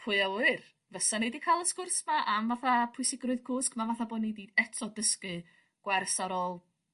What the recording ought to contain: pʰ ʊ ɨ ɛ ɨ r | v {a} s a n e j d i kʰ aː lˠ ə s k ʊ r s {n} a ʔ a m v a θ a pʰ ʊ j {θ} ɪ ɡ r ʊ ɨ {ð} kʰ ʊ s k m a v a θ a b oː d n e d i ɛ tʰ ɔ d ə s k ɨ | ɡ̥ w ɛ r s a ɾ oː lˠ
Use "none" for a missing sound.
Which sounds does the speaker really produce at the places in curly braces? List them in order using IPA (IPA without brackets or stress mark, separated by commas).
ə, m, s, ð